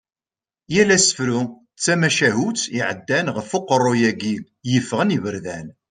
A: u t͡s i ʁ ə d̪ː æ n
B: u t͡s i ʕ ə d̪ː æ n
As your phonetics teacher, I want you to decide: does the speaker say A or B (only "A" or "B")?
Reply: B